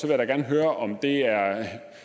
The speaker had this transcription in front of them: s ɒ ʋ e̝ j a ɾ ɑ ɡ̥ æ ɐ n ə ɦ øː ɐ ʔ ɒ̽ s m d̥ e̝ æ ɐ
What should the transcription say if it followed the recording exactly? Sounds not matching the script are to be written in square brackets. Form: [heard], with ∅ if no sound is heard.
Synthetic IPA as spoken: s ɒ ʋ e̝ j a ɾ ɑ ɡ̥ æ ɐ n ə ɦ øː ɐ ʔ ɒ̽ [∅] m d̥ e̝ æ ɐ